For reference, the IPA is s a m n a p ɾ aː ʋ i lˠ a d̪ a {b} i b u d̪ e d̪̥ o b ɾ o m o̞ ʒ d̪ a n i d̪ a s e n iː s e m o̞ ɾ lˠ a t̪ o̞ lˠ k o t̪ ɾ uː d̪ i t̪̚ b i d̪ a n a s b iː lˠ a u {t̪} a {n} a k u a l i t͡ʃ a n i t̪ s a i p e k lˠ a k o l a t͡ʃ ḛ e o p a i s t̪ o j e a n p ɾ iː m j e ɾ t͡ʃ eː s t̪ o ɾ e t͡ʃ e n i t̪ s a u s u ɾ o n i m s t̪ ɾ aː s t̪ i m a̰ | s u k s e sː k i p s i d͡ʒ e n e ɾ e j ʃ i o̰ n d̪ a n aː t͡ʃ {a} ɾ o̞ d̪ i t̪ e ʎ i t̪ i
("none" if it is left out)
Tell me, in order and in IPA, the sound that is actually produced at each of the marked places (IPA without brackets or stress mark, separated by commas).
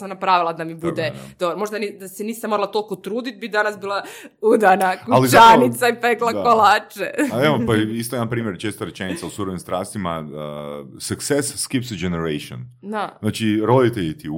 m, d̪, n, i